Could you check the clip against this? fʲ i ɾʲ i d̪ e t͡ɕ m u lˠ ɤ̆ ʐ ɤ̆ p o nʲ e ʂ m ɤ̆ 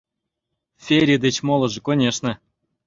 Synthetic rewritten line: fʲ e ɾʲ i d̪ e t͡ɕ m o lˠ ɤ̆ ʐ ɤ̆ k o nʲ e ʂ n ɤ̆